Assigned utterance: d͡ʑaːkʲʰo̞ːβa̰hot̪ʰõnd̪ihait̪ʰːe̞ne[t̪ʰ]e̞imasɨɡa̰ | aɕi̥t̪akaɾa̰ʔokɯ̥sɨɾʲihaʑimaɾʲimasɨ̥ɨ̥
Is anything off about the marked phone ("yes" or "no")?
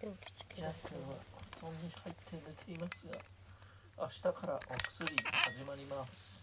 no